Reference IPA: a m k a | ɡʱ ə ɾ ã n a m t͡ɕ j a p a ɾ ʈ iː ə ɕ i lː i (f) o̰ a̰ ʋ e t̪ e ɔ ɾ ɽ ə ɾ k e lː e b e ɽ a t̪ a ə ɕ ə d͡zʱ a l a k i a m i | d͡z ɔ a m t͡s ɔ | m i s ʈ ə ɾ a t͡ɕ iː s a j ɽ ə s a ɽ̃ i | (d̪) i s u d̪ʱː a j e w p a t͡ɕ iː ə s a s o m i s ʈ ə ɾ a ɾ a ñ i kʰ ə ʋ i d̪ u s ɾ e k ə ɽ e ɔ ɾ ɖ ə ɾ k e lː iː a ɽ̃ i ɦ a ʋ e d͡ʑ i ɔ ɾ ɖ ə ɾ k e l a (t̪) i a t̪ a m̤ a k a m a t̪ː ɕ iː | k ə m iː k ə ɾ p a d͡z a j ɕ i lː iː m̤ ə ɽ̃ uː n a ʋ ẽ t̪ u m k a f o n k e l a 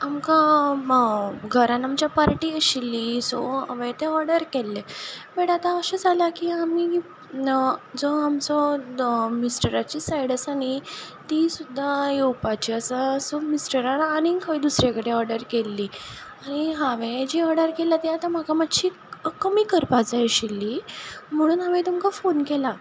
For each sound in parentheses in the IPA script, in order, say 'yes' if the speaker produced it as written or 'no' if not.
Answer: no, no, yes

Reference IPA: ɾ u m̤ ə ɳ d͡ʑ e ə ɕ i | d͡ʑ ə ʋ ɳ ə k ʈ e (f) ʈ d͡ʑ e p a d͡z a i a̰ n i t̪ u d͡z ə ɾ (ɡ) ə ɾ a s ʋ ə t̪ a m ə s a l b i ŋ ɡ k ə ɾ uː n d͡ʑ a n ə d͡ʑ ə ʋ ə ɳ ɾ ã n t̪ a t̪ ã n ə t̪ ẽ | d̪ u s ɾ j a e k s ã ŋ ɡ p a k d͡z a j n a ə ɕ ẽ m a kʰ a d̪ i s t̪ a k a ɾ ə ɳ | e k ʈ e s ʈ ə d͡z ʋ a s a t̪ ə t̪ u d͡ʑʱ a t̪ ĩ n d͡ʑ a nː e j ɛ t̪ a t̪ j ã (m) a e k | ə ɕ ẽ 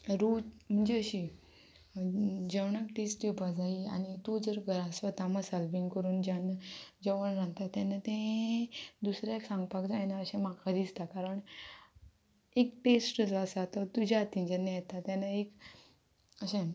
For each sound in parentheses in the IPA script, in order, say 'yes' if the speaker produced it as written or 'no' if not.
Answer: no, yes, no

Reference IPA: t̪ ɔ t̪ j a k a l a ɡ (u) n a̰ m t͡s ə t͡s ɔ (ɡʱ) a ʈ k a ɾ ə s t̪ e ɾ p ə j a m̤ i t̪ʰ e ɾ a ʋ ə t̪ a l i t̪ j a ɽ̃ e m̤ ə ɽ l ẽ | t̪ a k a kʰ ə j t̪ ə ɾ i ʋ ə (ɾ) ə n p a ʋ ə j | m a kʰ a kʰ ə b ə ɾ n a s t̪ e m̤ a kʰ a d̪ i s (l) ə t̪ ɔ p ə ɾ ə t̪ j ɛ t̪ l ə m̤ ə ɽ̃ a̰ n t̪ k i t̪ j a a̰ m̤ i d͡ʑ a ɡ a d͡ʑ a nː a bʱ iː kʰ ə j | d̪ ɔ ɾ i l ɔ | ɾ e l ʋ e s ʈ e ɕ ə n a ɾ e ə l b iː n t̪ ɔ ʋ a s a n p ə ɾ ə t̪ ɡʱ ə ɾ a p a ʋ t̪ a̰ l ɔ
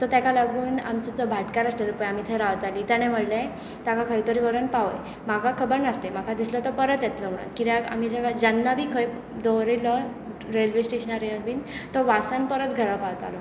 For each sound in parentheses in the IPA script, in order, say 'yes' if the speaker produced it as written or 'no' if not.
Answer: no, no, yes, yes

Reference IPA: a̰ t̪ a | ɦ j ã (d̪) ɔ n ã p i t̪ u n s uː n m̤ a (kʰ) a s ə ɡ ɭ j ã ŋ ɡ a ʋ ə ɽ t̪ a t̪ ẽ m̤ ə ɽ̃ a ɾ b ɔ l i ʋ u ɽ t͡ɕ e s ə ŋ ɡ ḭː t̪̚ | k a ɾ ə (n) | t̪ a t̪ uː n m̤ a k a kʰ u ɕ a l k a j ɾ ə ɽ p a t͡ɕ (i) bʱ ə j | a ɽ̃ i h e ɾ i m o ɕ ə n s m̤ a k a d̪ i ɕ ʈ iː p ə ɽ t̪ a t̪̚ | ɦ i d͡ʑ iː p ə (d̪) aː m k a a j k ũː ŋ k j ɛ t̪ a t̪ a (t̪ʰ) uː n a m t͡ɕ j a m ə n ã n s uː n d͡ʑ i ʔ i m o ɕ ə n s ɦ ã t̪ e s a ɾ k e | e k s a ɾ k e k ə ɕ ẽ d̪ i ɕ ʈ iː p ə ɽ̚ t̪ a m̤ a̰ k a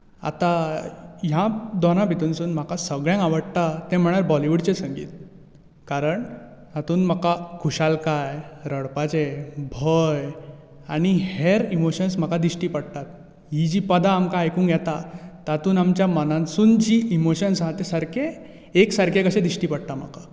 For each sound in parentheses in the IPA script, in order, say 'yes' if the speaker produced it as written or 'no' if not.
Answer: yes, no, no, no, yes, no

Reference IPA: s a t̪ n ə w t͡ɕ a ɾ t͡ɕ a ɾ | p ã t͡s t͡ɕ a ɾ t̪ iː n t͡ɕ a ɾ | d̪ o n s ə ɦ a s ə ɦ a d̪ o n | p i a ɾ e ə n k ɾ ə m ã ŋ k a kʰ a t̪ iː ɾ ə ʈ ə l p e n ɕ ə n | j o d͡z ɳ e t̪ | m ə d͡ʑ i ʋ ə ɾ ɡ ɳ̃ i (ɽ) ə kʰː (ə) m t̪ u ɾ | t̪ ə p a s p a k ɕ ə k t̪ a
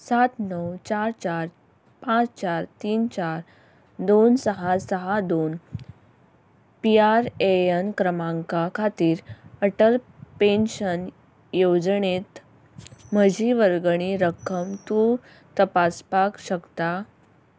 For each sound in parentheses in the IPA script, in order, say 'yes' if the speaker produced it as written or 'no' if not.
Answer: no, yes

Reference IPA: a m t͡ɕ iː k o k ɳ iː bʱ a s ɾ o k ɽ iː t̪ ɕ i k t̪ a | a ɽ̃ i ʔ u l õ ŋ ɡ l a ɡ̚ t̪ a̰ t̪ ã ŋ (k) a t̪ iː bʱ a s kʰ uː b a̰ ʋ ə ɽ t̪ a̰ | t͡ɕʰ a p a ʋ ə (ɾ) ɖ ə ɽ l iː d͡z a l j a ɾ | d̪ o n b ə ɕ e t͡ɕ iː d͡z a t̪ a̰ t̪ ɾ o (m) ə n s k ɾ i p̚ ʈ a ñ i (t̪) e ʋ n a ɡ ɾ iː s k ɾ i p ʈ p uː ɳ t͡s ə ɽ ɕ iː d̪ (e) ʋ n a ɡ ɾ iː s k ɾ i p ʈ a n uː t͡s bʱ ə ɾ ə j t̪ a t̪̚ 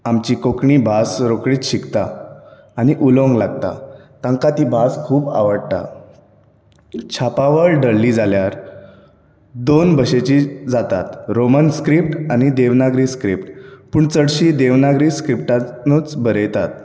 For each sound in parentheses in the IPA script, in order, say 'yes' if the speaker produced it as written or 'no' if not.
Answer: yes, no, yes, no, yes

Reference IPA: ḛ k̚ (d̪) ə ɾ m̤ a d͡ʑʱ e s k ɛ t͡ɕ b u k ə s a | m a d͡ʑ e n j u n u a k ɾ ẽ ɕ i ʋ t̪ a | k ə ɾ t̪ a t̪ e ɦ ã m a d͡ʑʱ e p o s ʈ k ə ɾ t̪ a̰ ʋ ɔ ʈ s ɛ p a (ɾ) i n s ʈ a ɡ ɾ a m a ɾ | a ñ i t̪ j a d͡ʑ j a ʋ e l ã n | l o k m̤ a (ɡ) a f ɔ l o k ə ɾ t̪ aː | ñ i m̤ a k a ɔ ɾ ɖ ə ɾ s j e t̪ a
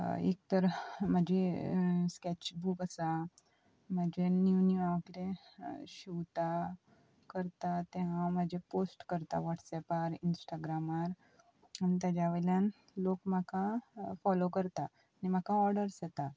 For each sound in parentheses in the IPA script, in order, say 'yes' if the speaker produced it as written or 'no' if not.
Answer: no, yes, no

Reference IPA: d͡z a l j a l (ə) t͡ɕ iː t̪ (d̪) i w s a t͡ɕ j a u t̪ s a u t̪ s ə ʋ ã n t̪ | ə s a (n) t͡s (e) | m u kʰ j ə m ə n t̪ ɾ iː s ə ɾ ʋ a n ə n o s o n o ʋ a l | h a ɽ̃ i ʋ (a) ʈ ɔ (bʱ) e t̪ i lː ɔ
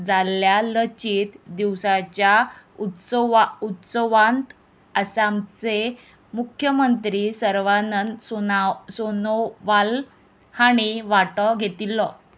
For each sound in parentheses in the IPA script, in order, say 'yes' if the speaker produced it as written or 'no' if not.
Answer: yes, yes, no, yes, yes, no

